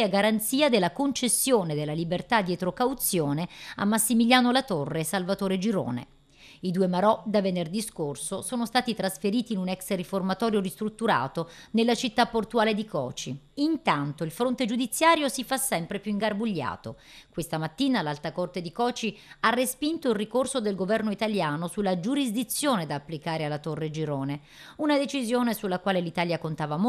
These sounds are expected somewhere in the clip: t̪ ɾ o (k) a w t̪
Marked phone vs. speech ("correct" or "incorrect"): correct